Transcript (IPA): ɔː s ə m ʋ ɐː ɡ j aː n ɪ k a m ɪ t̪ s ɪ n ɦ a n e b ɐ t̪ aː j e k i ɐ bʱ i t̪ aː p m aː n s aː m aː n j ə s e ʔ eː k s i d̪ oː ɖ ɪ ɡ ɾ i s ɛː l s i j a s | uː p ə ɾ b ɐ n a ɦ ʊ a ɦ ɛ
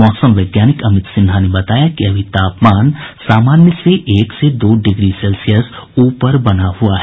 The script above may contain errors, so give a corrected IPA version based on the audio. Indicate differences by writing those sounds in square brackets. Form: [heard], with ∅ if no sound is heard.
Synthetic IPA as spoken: ɔː s ə m ʋ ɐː ɡ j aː n ɪ k [ɐ] m ɪ t̪ s ɪ n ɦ a n e b ɐ t̪ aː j [a] k i ɐ bʱ i t̪ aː p m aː n s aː m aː n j ə s e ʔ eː k s [e] d̪ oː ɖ ɪ ɡ ɾ i s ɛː l s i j [ə] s | uː p ə ɾ b ɐ n a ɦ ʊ a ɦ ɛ